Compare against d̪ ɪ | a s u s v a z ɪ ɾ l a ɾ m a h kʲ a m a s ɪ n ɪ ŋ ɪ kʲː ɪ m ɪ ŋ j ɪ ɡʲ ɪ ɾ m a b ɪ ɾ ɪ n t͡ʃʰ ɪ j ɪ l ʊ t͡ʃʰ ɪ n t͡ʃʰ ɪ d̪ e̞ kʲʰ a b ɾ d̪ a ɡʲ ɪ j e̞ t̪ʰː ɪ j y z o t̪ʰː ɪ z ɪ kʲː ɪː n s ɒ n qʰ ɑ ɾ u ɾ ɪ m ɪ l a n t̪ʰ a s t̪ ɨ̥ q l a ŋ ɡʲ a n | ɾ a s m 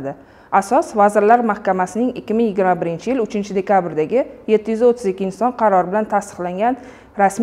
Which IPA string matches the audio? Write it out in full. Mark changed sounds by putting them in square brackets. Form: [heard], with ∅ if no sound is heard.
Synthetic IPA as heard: d̪ ɪ | a s [ɒ] s v a z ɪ ɾ l a ɾ m a h kʲ a m a s ɪ n ɪ ŋ ɪ kʲː ɪ m ɪ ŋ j ɪ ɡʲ ɪ ɾ m a b ɪ ɾ ɪ n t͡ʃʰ ɪ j ɪ l ʊ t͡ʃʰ ɪ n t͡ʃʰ ɪ d̪ e̞ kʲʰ a b ɾ d̪ a ɡʲ ɪ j e̞ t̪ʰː ɪ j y z o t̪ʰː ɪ z ɪ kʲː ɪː n s ɒ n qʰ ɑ ɾ [ɒ] ɾ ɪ [b] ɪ l a n t̪ʰ a s t̪ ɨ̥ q l a ŋ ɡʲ a n | ɾ a s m